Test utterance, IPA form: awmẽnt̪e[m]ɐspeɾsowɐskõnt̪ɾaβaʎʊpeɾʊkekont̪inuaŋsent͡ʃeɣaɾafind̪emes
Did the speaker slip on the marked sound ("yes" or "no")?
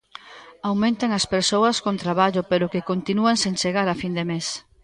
yes